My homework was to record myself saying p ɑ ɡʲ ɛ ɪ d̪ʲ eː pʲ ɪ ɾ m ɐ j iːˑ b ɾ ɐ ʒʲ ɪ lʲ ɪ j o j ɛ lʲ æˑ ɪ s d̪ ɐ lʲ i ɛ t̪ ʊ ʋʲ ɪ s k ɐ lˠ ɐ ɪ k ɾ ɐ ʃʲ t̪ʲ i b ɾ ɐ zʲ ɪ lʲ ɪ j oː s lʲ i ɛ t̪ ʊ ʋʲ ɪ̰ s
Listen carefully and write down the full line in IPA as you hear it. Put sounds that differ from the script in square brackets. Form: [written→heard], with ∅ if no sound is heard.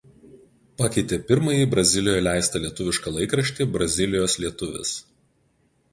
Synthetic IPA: p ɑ [ɡʲ→kʲ] ɛ ɪ [d̪ʲ→t̪ʲ] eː pʲ ɪ ɾ m ɐ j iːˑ b ɾ ɐ [ʒʲ→zʲ] ɪ lʲ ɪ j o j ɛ lʲ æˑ ɪ s [d̪→t̪] ɐ lʲ i ɛ t̪ ʊ ʋʲ ɪ [s→ʃ] k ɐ lˠ ɐ ɪ k ɾ ɐ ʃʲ t̪ʲ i b ɾ ɐ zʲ ɪ lʲ ɪ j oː s lʲ i ɛ t̪ ʊ ʋʲ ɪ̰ s